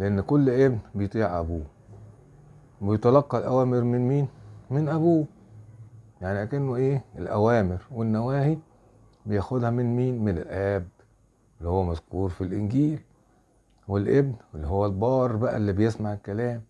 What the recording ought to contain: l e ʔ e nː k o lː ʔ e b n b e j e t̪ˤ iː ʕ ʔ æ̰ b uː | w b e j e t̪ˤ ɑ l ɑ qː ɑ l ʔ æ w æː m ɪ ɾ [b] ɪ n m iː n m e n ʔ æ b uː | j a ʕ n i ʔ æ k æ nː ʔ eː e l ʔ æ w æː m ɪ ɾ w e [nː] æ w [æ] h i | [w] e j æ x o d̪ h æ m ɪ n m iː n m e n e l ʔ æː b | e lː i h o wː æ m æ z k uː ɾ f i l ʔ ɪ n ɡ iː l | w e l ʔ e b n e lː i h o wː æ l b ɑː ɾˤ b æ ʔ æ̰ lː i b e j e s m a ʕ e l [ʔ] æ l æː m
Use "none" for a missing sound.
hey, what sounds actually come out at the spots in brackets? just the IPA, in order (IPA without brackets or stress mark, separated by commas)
m, nː, æː, b, k